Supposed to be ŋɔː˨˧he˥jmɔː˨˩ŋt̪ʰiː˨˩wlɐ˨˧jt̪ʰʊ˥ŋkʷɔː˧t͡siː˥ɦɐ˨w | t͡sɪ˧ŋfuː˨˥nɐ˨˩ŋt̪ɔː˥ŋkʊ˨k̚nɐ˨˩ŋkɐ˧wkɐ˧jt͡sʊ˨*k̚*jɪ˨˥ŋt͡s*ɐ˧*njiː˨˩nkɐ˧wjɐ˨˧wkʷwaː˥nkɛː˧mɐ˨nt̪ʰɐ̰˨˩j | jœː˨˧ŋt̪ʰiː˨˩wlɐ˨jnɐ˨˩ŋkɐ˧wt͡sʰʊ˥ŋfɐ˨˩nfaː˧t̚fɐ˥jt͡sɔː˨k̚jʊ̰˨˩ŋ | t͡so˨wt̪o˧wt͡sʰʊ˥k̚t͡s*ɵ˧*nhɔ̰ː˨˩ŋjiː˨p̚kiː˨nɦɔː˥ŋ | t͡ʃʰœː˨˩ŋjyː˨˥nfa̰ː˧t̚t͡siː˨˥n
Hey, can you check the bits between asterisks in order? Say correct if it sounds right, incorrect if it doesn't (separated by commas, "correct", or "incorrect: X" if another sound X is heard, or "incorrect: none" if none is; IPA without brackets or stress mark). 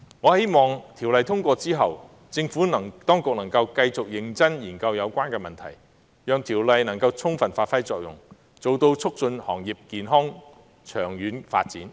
correct, incorrect: ɐ˥, correct